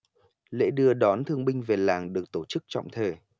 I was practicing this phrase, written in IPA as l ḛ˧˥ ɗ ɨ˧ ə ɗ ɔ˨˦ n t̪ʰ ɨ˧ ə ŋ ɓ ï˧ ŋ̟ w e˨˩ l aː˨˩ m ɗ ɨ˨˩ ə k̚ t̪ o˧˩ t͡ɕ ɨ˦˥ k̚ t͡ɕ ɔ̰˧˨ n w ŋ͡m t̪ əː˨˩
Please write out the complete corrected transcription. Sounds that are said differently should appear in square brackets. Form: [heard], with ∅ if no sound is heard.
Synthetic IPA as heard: l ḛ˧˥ ɗ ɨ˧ ə ɗ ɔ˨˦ n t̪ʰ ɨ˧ ə ŋ ɓ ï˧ ŋ̟ [v] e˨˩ l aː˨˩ [ŋ] ɗ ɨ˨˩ ə k̚ t̪ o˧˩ t͡ɕ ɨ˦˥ k̚ t͡ɕ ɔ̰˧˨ [∅] w ŋ͡m [t̪ʰ] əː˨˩